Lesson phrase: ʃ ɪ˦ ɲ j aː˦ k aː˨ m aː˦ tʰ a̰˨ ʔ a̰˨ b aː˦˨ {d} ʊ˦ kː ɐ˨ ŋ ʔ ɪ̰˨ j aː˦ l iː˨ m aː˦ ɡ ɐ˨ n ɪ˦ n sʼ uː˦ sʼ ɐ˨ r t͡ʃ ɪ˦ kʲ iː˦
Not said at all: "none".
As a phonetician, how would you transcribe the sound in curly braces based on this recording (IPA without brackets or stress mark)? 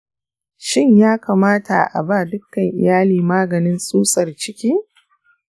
d